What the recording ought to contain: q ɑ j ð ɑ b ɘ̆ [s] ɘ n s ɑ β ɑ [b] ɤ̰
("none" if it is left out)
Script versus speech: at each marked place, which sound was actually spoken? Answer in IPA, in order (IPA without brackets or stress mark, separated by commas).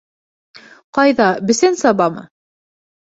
s, m